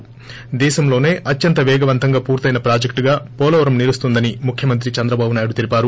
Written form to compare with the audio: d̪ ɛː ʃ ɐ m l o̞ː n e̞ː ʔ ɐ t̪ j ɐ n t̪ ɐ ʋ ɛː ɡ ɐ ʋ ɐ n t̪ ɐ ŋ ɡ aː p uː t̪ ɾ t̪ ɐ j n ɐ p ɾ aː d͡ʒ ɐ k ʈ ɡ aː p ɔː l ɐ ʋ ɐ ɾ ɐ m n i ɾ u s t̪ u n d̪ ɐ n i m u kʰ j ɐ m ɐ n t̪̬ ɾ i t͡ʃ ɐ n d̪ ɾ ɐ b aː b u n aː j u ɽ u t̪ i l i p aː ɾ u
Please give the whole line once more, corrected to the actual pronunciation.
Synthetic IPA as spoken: d̪ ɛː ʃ ɐ m l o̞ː n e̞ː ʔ ɐ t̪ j ɐ n t̪ ɐ ʋ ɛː ɡ ɐ ʋ ɐ n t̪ ɐ ŋ ɡ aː p uː ɾ t̪ ɐ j n ɐ p ɾ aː d͡ʒ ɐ k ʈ ɡ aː p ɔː l ɐ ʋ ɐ ɾ ɐ m n i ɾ u s t̪ u n d̪ ɐ n i m u kʰ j ɐ m ɐ n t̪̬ ɾ i t͡ʃ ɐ n d̪ ɾ ɐ b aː b u n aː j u ɽ u t̪ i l i p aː ɾ u